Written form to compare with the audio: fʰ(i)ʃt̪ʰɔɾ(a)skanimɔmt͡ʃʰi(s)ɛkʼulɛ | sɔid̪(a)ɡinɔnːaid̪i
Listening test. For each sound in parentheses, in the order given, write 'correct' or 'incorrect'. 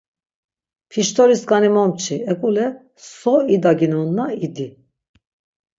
correct, incorrect, incorrect, correct

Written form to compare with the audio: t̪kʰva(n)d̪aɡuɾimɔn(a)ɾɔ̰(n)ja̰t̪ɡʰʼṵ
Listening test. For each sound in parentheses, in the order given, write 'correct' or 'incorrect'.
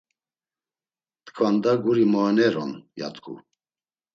correct, incorrect, correct

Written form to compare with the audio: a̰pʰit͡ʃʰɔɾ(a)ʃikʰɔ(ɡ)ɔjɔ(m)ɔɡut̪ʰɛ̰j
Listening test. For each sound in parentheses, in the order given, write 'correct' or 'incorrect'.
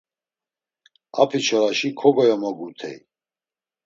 correct, correct, correct

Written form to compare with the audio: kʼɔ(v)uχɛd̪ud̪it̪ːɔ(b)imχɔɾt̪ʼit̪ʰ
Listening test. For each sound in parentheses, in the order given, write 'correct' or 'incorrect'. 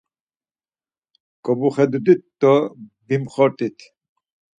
incorrect, correct

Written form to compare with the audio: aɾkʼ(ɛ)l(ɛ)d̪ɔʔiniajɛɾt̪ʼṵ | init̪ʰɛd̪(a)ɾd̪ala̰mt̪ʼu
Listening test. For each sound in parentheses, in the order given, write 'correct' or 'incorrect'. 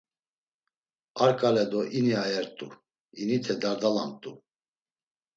incorrect, correct, correct

